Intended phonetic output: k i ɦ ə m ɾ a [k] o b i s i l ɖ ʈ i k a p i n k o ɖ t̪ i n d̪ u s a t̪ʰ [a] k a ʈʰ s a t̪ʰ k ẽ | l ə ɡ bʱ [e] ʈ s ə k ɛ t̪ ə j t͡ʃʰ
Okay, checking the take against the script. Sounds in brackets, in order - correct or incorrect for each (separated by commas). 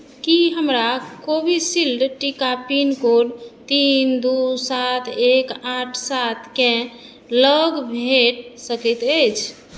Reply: correct, incorrect, correct